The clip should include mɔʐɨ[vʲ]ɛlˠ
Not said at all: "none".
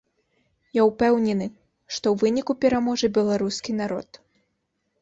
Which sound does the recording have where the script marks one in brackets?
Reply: bʲ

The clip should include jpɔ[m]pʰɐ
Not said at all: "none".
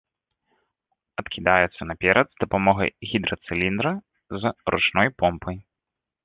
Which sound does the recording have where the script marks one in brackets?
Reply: m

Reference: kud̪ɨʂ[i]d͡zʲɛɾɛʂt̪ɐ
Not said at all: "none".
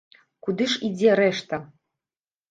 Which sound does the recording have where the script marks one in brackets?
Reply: i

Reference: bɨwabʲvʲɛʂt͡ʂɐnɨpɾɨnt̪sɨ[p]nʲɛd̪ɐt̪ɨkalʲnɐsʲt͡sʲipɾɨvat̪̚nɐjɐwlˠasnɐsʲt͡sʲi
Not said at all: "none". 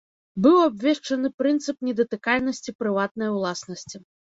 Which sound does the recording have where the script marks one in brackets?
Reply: p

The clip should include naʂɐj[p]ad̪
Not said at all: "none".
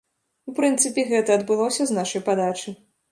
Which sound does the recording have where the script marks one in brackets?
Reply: p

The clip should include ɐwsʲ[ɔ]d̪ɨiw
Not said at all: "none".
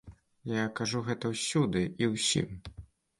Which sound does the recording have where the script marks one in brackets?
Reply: u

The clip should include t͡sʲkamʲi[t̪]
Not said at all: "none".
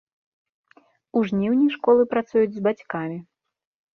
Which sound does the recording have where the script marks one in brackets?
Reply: none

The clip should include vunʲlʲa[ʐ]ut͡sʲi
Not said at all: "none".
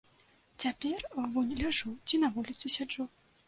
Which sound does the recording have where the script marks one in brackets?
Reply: ʐ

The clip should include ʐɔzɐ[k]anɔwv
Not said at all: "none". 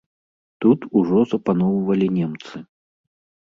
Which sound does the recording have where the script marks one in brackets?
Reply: p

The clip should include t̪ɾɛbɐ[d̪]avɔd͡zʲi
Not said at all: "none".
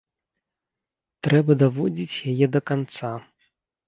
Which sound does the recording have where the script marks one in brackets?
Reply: d̪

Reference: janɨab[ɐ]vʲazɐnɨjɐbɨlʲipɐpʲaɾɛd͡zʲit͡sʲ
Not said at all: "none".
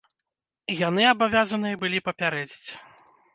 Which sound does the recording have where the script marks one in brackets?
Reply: a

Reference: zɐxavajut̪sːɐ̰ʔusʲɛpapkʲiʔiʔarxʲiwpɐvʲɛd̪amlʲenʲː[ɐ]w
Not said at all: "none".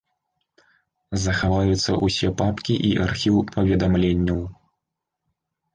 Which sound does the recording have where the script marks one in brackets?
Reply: ɐ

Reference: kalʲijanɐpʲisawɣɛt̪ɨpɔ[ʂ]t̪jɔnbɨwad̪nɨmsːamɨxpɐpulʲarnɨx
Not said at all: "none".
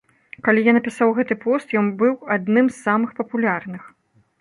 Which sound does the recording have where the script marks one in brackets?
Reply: s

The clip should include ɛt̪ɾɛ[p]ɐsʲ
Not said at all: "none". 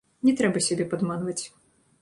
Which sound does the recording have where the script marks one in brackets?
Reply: b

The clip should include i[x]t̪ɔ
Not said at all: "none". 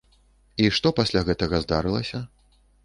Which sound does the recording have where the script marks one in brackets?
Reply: ʂ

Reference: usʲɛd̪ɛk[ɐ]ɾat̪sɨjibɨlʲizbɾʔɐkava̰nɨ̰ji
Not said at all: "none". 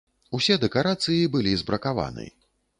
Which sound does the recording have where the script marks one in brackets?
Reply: a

